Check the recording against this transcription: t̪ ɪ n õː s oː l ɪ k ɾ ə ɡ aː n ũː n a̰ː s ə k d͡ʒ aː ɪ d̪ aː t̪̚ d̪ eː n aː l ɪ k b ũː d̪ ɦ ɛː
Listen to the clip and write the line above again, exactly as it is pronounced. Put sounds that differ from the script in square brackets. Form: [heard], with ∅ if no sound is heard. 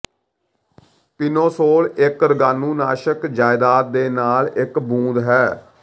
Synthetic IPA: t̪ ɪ n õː s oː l ɪ k ɾ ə ɡ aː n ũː n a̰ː [ʃ] ə k d͡ʒ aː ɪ d̪ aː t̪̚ d̪ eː n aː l ɪ k b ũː d̪ ɦ ɛː